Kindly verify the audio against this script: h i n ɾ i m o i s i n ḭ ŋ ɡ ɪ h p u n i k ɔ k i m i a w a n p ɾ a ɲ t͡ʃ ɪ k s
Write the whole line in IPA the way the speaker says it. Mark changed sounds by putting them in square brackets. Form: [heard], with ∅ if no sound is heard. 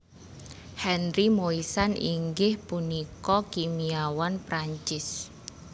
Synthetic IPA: h [ɛ] n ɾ i m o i s [a] n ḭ ŋ ɡ ɪ h p u n i k ɔ k i m i a w a n p ɾ a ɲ t͡ʃ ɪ [∅] s